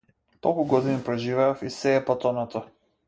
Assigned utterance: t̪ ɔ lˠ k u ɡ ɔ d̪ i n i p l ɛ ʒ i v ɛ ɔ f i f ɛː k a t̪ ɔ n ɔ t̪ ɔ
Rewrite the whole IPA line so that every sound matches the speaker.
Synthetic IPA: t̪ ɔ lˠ k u ɡ ɔ d̪ i n i p ɾ ɛ ʒ i v ɛ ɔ f i s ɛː p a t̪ ɔ n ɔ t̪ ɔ